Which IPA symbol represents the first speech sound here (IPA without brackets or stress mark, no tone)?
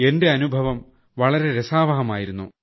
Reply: e̞